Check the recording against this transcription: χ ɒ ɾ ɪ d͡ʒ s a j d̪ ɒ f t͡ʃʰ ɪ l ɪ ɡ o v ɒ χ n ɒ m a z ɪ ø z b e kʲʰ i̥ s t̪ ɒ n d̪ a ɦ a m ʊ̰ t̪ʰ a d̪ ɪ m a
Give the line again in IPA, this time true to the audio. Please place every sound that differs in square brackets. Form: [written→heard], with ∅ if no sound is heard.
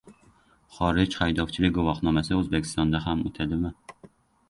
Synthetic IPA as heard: χ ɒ ɾ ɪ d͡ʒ [s→χ] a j d̪ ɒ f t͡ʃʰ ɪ l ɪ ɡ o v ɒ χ n ɒ m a [z→s] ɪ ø z b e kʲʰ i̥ s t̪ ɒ n d̪ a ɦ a m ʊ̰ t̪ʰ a d̪ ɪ m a